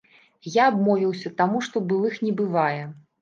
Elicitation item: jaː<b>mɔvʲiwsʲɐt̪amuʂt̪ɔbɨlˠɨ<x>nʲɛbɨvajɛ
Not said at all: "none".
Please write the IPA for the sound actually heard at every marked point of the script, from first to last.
b, x

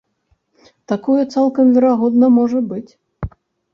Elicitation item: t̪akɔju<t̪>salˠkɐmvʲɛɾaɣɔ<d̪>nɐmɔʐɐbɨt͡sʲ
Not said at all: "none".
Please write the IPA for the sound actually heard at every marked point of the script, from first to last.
t̪, d̪

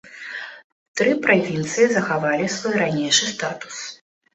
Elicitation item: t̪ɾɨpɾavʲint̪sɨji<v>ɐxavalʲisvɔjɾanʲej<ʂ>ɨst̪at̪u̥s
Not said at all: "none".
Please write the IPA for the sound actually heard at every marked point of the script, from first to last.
z, ʂ

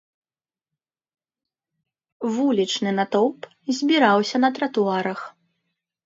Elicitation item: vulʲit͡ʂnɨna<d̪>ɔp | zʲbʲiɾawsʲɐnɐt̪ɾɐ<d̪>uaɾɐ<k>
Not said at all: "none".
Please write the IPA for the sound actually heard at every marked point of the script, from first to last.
t̪, t̪, x

